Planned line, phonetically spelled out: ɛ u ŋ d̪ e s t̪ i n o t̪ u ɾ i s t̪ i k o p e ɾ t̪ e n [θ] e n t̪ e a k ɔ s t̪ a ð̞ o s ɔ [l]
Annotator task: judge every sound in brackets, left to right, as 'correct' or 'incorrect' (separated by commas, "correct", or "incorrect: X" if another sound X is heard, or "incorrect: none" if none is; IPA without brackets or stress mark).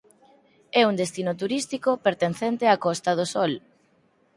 correct, correct